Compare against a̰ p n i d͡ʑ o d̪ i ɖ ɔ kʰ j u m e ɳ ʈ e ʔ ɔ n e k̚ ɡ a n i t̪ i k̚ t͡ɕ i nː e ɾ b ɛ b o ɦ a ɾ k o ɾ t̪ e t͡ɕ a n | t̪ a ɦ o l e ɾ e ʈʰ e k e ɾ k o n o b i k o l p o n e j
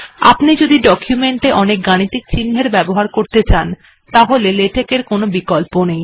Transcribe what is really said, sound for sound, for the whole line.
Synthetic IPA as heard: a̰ p n i d͡ʑ o d̪ i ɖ ɔ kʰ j u m e ɳ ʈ e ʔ ɔ n e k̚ ɡ a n i t̪ i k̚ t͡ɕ i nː e ɾ b ɛ b o ɦ a ɾ k o ɾ t̪ e t͡ɕ a n | t̪ a ɦ o l e l e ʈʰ e k e ɾ k o n o b i k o l p o n e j